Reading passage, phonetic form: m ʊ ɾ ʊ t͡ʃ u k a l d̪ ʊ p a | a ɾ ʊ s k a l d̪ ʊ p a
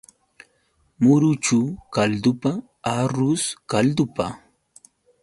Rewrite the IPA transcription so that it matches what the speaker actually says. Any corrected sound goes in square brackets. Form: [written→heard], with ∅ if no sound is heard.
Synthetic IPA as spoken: m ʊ ɾ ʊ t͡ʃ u k a l d̪ ʊ p a | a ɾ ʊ s k a l d̪ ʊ p a